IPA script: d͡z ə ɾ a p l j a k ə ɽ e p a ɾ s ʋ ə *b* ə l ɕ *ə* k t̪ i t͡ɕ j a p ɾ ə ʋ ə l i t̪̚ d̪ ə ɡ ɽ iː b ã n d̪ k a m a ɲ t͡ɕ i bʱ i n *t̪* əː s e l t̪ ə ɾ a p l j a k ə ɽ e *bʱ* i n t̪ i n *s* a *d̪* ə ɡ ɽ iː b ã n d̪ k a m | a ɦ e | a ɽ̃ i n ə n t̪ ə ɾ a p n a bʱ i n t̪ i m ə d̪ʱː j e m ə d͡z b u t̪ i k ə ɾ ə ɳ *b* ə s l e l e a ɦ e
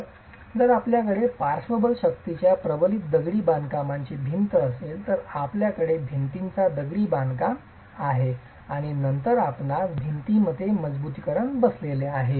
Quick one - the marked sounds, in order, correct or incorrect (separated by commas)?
correct, correct, correct, correct, incorrect, correct, correct